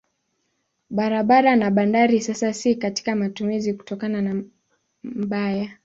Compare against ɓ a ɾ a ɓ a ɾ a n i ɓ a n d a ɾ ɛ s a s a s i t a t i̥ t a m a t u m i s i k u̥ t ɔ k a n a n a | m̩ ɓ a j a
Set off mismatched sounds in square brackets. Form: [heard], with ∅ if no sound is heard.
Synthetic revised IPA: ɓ a ɾ a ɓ a ɾ a n [a] ɓ a n d a ɾ [i] s a s a s i [k] a t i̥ [k] a m a t u m i [z] i k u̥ t ɔ k a n a n a | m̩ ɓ a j a